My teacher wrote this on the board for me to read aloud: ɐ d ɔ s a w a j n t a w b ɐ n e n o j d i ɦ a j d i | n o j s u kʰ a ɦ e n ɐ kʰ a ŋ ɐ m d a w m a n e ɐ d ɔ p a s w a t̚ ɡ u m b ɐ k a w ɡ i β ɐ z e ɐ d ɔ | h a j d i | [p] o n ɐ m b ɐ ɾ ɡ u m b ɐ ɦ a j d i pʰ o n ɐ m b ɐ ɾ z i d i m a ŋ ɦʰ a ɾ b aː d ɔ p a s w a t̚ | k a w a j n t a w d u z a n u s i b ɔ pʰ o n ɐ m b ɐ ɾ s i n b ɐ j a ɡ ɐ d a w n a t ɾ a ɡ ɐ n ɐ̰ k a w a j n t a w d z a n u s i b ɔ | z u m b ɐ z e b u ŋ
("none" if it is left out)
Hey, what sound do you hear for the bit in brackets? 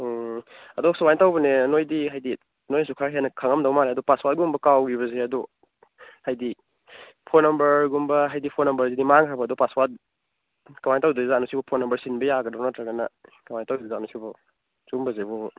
pʰ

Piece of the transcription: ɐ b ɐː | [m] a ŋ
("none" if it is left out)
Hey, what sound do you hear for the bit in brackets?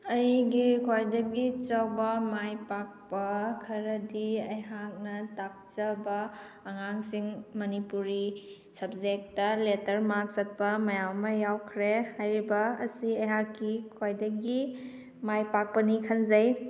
ŋ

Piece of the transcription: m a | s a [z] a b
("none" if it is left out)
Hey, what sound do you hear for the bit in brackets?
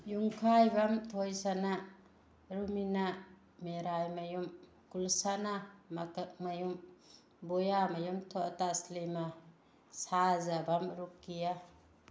z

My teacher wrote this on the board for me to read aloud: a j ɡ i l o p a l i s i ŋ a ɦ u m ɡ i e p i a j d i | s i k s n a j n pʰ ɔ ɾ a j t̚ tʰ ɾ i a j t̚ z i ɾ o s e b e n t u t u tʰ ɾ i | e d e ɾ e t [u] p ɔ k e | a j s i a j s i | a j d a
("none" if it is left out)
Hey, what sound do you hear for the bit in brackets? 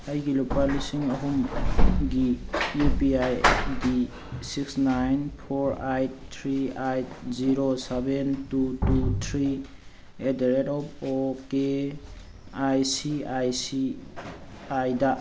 ɔ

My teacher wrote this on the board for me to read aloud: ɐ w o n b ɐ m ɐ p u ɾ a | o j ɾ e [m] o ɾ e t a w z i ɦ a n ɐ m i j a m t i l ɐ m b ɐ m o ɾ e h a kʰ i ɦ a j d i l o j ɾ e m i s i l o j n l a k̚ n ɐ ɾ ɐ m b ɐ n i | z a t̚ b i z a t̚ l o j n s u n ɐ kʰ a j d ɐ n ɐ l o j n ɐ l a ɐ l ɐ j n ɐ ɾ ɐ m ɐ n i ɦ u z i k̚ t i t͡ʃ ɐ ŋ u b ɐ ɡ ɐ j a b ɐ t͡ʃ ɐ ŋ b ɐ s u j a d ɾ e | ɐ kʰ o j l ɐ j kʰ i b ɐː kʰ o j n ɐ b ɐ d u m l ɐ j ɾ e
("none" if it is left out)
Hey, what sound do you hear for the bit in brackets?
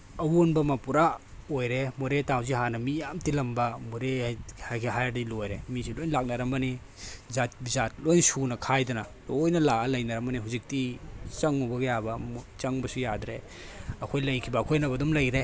m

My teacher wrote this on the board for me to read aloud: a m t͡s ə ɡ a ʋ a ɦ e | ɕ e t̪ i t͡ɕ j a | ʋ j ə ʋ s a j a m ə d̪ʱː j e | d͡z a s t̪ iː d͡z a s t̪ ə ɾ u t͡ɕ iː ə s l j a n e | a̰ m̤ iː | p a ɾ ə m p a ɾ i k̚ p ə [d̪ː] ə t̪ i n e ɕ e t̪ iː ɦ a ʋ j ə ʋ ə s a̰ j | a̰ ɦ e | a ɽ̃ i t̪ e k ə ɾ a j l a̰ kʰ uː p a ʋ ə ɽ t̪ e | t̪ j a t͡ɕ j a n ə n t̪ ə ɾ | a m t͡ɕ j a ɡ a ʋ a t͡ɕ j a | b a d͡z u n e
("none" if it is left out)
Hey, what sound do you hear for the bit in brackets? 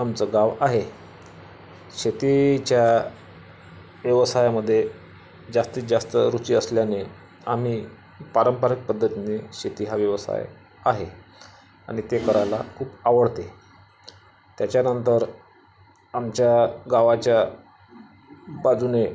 d̪ː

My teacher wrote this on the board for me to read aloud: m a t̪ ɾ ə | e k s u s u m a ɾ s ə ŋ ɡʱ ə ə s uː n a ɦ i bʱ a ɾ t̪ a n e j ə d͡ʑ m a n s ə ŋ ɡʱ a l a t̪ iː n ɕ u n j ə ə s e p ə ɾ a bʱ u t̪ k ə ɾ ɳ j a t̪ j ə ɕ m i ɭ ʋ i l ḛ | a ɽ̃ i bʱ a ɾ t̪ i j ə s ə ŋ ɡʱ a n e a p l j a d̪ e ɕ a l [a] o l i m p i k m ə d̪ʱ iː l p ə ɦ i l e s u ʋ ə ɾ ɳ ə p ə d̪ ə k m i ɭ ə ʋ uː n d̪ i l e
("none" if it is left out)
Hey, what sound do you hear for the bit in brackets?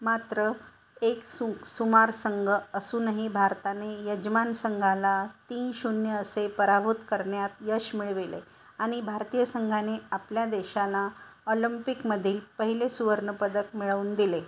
a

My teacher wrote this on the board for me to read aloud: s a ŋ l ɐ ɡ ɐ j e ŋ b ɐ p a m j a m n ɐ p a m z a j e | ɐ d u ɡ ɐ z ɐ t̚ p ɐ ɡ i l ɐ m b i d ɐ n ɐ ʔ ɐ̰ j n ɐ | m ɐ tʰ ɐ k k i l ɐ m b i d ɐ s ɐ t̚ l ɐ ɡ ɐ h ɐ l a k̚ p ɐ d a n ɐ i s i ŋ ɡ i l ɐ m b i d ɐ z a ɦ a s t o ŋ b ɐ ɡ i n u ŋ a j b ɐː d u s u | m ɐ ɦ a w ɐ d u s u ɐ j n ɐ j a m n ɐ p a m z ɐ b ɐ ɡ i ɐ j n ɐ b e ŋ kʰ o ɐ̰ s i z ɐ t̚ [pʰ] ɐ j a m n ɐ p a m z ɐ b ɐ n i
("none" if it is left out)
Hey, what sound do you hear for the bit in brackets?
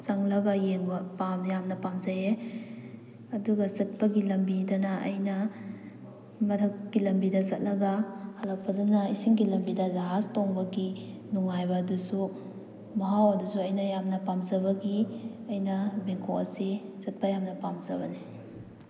p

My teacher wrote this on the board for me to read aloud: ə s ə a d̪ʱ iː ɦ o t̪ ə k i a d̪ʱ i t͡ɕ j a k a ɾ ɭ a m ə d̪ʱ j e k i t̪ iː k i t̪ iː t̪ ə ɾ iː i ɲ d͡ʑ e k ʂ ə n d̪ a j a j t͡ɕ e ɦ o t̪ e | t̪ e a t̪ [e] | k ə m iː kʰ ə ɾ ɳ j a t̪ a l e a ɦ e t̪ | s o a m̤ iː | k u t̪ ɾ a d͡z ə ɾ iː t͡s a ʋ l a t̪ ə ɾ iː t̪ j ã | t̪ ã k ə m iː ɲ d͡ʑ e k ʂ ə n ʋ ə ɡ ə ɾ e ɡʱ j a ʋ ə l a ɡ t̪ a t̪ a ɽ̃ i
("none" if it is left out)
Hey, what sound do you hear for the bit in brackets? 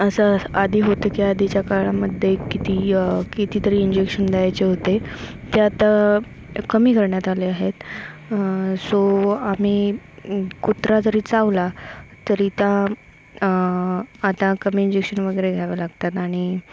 a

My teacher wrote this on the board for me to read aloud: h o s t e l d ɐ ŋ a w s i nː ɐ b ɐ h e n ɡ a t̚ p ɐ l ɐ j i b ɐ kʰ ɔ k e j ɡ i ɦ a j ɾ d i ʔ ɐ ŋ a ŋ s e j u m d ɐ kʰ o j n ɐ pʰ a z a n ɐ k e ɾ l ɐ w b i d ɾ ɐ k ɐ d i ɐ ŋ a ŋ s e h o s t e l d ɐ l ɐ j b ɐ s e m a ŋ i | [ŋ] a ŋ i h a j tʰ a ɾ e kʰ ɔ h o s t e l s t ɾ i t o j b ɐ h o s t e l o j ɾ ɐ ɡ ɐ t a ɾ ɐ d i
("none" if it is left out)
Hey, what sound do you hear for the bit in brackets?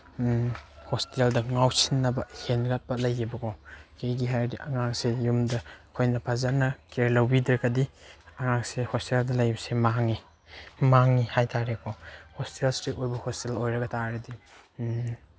m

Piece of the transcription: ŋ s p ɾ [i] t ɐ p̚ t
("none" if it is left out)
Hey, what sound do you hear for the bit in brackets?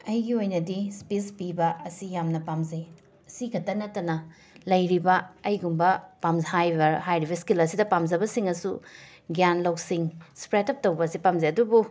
e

